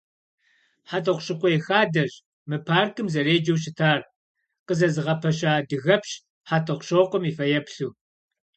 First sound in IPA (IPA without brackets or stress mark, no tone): ħ